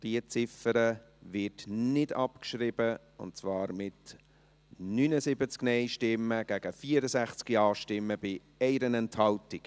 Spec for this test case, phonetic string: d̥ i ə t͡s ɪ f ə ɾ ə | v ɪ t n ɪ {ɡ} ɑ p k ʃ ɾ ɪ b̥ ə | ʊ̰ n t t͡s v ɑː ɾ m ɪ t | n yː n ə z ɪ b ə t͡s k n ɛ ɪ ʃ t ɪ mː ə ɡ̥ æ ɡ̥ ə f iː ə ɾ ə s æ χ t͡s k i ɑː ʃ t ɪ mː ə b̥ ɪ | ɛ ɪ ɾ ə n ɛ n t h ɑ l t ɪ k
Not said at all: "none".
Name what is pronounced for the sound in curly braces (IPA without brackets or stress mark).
d